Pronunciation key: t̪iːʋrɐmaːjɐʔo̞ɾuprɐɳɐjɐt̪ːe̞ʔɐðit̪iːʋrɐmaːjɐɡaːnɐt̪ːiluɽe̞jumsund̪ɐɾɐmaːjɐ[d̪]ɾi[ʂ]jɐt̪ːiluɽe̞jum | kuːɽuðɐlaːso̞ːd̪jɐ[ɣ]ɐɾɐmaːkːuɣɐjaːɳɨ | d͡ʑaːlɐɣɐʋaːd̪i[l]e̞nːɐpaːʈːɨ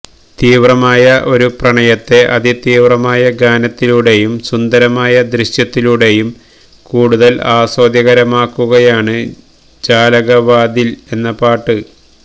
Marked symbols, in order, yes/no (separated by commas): yes, no, yes, yes